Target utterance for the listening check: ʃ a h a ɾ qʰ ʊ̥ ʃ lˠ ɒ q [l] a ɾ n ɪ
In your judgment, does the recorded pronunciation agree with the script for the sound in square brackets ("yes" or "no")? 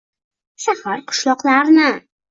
yes